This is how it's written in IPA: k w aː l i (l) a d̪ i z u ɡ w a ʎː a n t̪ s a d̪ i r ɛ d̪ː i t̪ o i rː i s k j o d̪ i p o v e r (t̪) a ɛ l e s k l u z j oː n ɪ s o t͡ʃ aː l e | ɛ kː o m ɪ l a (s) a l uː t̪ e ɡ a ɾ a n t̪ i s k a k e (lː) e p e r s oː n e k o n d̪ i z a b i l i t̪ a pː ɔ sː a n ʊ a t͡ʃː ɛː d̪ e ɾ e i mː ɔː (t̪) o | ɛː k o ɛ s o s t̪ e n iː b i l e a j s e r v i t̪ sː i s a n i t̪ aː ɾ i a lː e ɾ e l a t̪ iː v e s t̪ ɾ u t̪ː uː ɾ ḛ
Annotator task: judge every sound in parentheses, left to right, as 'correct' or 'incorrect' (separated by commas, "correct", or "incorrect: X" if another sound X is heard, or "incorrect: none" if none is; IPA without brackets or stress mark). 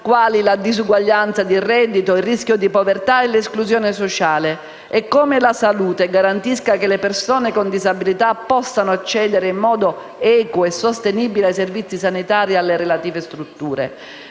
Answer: correct, correct, correct, incorrect: l, incorrect: d̪